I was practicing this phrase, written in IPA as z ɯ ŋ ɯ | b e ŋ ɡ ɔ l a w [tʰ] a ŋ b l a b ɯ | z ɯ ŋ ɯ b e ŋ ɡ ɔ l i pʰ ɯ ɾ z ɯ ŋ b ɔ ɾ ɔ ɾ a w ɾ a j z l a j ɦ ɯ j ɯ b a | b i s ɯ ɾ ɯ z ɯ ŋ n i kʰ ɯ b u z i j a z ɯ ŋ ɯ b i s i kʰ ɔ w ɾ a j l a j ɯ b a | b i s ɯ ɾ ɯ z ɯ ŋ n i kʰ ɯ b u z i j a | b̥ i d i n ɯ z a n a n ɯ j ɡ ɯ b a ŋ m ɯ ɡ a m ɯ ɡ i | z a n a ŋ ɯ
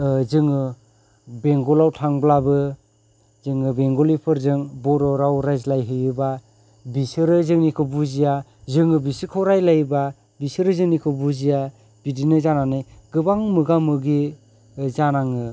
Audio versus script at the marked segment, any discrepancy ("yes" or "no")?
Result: no